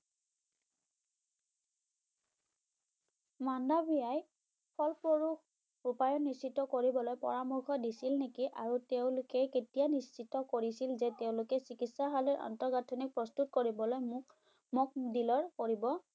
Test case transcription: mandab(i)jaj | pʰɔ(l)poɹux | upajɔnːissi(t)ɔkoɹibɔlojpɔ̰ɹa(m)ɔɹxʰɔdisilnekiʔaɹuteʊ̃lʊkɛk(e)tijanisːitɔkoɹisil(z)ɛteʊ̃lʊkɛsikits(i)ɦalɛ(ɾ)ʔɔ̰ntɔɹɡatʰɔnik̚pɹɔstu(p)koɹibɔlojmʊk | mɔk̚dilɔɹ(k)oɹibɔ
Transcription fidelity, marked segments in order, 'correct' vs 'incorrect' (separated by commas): correct, correct, correct, correct, correct, correct, incorrect, incorrect, incorrect, correct